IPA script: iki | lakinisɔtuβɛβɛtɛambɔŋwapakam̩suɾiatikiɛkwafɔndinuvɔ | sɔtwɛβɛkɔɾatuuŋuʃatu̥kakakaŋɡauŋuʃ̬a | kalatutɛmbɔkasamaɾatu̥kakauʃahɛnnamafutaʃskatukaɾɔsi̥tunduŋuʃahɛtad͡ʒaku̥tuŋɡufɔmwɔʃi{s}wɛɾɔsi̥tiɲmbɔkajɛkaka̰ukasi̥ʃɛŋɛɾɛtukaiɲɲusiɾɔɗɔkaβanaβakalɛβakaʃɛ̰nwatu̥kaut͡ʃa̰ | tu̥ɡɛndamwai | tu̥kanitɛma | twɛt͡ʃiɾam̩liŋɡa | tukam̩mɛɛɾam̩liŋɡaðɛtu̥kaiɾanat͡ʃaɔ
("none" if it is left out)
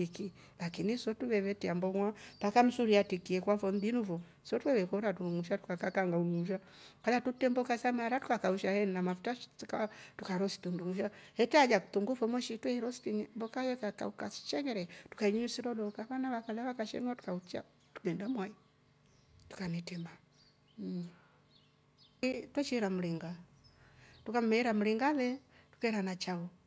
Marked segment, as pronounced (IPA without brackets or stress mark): t